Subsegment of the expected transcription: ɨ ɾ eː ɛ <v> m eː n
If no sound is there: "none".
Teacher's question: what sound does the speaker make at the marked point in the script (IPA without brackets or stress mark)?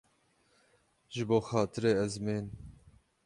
z